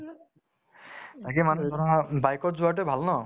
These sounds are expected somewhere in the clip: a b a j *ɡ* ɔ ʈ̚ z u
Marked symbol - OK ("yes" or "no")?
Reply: no